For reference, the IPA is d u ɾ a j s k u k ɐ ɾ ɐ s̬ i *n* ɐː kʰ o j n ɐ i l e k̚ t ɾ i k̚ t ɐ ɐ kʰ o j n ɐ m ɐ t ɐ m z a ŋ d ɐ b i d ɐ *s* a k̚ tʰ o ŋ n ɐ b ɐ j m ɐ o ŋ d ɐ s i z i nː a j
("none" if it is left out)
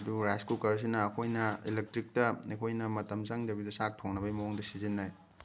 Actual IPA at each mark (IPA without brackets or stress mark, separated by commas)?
n, s